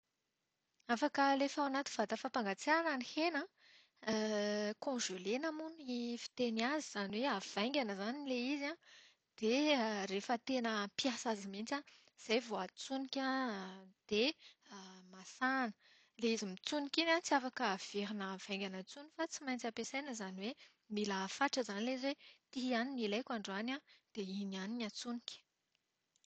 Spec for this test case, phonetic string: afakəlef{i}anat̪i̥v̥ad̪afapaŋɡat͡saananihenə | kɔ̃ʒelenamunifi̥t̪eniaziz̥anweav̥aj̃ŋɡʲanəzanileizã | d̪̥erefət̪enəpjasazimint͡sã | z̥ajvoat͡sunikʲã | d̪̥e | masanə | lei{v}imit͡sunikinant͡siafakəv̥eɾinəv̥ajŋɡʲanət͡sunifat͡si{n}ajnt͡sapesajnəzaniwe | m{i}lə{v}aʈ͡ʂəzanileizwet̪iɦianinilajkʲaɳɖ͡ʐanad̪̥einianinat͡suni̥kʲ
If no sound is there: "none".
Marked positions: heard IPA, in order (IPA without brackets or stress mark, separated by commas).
a, z, m, i, f